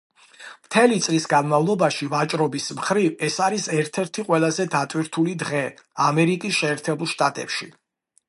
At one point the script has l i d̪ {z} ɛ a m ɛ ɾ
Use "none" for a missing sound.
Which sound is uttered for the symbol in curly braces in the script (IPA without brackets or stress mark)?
ʁ